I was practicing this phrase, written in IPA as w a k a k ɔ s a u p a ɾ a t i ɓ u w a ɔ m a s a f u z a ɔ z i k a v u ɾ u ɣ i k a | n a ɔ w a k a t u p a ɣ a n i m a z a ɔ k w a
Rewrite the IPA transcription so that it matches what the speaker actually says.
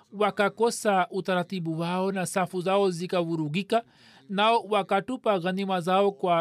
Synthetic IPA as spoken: w a k a k ɔ s a u t a ɾ a t i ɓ u w a ɔ n a s a f u z a ɔ z i k a v u ɾ u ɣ i k a | n a ɔ w a k a t u p a ɣ a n i m a z a ɔ k w a